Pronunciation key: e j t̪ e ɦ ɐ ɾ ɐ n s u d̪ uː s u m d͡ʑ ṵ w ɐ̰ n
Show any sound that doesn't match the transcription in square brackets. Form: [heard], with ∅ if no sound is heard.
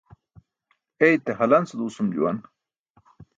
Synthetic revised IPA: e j t̪ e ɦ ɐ [l] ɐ n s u d̪ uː s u m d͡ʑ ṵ w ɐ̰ n